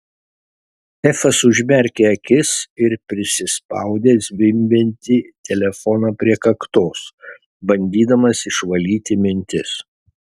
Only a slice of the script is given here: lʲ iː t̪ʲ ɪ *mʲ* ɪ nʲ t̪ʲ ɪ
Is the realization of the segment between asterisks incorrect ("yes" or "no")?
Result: no